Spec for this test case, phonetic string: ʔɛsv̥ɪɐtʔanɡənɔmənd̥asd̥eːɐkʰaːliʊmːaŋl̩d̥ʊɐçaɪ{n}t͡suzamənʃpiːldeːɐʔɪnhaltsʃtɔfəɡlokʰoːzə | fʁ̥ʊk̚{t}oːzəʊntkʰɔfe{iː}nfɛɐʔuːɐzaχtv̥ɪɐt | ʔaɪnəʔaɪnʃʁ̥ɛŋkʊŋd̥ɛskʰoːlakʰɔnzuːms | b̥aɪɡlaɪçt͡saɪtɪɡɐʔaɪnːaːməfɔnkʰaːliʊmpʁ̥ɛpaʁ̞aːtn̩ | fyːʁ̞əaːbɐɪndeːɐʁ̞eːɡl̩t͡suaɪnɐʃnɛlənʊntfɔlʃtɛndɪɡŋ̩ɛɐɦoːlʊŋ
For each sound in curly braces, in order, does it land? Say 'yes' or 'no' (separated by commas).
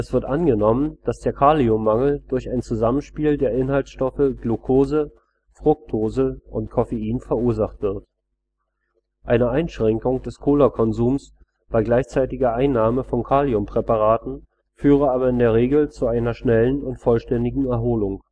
yes, no, yes